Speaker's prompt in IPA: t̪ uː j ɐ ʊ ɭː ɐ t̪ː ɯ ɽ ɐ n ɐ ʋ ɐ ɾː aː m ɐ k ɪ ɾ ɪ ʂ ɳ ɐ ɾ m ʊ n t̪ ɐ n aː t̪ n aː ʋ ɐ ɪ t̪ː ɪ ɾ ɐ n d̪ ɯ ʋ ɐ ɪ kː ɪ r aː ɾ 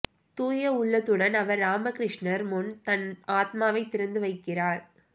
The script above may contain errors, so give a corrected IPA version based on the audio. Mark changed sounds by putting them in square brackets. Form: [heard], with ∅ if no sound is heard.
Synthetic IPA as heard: t̪ uː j ɐ ʊ ɭː ɐ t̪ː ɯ ɽ ɐ n ɐ ʋ ɐ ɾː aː m ɐ k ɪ ɾ ɪ ʂ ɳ ɐ ɾ m ʊ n t̪ ɐ n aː t̪ [m] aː ʋ ɐ ɪ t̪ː ɪ ɾ ɐ n d̪ ɯ ʋ ɐ ɪ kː ɪ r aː ɾ